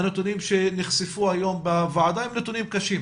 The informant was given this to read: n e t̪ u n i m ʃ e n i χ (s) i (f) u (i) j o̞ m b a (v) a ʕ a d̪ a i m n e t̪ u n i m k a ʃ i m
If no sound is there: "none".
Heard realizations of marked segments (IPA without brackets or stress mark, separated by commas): s, f, a, v